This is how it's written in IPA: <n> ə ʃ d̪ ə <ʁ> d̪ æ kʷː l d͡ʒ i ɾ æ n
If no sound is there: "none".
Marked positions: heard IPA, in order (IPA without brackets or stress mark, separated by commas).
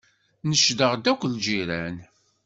n, ʁ